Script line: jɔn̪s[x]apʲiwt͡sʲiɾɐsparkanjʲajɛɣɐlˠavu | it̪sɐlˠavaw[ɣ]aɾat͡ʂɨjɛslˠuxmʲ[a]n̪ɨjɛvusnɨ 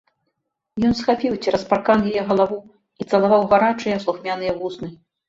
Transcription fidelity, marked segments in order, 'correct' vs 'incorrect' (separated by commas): correct, correct, correct